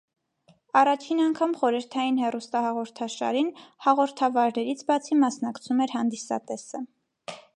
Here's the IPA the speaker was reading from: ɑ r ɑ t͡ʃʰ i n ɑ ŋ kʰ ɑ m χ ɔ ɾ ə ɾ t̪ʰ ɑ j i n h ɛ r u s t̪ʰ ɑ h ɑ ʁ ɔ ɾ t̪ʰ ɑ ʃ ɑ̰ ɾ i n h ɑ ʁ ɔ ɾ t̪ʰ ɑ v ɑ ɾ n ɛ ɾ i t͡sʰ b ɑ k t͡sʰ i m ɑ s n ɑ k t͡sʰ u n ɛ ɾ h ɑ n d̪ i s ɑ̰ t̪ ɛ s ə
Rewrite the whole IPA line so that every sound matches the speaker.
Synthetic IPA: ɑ r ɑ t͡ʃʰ i n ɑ ŋ kʰ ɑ m χ ɔ ɾ ə ɾ t̪ʰ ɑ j i n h ɛ r u s t̪ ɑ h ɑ ʁ ɔ ɾ t̪ʰ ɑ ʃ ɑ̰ ɾ i n h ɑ ʁ ɔ ɾ t̪ʰ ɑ v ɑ ɾ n ɛ ɾ i t͡sʰ b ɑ t͡sʰ i m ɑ s n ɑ k t͡sʰ u m ɛ ɾ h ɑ n d̪ i s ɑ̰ t̪ ɛ s ə